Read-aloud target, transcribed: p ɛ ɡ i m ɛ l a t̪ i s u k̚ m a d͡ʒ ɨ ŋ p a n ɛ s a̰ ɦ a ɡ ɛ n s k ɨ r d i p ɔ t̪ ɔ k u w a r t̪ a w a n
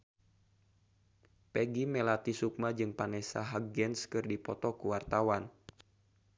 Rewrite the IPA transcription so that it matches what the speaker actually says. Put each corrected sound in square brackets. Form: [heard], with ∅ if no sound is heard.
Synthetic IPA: p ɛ ɡ i m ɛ l a t̪ i s u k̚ m a d͡ʒ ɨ ŋ p a n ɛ s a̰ ɦ a ɡ ɛ n s k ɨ r d i p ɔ t̪ ɔ k u w a r t̪ a w a n